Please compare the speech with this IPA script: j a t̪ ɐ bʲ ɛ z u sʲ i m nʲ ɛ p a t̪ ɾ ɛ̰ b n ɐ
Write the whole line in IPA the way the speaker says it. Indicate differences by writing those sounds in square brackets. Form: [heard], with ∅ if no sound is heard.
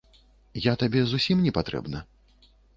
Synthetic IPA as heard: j a t̪ [a] bʲ ɛ z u sʲ i m nʲ ɛ p a t̪ ɾ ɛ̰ b n ɐ